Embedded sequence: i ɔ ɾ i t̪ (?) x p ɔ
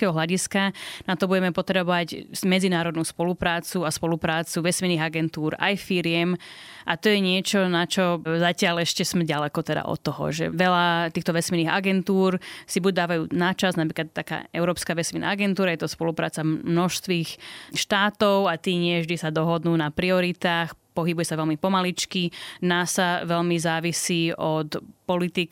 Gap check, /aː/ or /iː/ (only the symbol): aː